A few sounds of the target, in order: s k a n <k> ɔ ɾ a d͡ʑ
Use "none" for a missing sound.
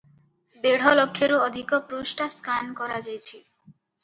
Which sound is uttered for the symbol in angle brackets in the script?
k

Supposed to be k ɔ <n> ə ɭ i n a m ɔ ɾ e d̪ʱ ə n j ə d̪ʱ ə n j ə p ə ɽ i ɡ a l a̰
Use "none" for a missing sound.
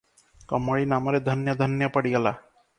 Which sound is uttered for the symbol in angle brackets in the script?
m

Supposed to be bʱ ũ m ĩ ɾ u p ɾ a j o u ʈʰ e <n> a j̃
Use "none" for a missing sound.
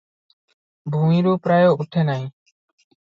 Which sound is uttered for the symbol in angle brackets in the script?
n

